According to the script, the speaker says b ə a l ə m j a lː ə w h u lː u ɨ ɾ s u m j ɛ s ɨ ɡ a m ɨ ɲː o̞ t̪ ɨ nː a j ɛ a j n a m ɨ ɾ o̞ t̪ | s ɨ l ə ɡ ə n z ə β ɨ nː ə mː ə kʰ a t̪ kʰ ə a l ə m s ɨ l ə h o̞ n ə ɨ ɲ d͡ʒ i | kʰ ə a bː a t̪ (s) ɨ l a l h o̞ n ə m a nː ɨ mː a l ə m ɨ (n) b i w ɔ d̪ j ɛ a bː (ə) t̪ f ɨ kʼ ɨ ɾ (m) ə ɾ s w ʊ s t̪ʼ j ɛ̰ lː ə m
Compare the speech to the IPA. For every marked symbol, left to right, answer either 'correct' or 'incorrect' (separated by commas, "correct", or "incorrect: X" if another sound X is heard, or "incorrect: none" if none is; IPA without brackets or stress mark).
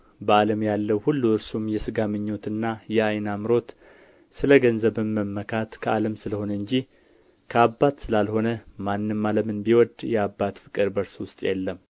correct, correct, incorrect: a, incorrect: b